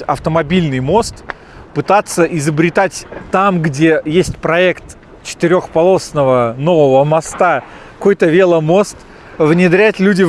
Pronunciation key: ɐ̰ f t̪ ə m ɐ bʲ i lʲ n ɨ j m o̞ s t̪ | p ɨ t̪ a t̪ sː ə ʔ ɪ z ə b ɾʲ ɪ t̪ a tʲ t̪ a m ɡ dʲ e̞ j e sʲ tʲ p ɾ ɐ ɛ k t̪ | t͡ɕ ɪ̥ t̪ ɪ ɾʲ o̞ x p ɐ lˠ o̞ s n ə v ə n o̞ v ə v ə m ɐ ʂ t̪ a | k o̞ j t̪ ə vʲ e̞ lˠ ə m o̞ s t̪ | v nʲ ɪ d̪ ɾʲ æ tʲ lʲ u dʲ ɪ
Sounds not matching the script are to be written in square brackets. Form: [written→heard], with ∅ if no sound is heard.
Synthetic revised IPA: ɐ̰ f t̪ ə m ɐ bʲ i lʲ n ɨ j m o̞ s t̪ | p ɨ t̪ a t̪ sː ə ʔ ɪ z ə b ɾʲ ɪ t̪ a tʲ t̪ a m ɡ dʲ e̞ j e sʲ tʲ p ɾ ɐ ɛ k t̪ | t͡ɕ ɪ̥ t̪ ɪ ɾʲ o̞ x p ɐ lˠ o̞ s n ə v ə n o̞ v ə v ə m ɐ [ʂ→s] t̪ a | k o̞ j t̪ ə vʲ e̞ lˠ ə m o̞ s t̪ | v nʲ ɪ d̪ ɾʲ æ tʲ lʲ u dʲ ɪ